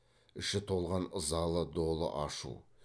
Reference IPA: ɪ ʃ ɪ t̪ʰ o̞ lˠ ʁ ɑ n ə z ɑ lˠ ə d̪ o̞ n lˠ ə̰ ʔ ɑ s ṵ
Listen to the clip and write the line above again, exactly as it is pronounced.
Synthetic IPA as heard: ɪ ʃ ɪ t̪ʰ o̞ lˠ ʁ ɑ n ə z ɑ lˠ ə d̪ o̞ lˠ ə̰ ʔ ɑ ʃ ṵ